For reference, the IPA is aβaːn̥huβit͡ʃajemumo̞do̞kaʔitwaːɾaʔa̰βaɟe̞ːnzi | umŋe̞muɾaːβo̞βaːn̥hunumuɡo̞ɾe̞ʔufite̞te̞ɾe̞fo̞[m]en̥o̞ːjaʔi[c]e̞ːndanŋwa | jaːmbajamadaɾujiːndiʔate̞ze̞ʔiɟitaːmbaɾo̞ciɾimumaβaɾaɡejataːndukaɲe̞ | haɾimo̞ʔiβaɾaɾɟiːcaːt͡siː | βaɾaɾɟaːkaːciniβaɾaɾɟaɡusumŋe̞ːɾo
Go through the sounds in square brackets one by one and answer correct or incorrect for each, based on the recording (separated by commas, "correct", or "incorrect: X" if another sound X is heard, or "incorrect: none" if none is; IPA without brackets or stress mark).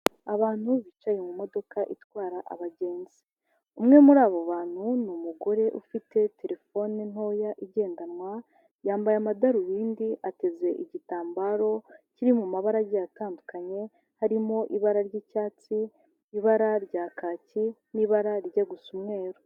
incorrect: n, incorrect: ɟ